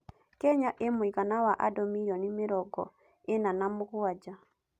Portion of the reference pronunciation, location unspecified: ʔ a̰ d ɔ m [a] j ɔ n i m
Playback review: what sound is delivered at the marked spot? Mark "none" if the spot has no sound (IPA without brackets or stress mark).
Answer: i